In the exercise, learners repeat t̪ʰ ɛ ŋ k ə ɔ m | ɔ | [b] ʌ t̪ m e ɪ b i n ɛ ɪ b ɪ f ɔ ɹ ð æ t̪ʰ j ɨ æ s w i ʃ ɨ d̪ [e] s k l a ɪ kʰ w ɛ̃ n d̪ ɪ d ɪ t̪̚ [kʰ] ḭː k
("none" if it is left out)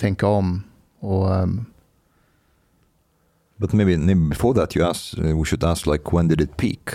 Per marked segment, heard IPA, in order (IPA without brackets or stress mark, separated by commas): b, æ, pʰ